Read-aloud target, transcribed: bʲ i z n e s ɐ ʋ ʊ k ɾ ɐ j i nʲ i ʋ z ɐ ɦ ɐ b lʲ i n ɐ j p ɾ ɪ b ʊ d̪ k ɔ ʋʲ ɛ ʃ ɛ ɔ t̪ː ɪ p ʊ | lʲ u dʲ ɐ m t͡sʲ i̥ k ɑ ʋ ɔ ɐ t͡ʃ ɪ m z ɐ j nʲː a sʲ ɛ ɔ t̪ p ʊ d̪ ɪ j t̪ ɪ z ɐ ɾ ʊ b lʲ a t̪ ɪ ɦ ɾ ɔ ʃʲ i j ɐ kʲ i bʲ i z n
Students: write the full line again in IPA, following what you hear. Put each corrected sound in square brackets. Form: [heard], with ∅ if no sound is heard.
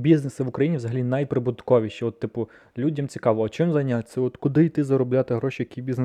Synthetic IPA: bʲ i z n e s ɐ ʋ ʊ k ɾ ɐ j i nʲ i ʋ z ɐ ɦ ɐ [∅] lʲ i n ɐ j p ɾ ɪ b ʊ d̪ k ɔ ʋʲ [i] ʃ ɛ ɔ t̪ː ɪ p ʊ | lʲ u dʲ ɐ m t͡sʲ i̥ k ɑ ʋ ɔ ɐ t͡ʃ ɪ m z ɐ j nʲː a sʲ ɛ ɔ t̪ [k] ʊ d̪ ɪ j t̪ ɪ z ɐ ɾ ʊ b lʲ a t̪ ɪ ɦ ɾ ɔ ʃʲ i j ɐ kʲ i bʲ i z n